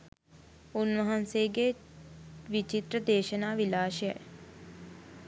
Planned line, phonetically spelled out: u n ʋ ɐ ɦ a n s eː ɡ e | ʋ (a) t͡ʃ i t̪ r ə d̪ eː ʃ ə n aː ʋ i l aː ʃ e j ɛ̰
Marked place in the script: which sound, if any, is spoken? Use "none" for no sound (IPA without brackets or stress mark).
i